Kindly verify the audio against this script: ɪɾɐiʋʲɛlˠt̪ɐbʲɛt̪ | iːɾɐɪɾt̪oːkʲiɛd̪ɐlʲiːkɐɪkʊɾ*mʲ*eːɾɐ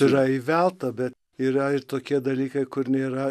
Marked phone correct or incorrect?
incorrect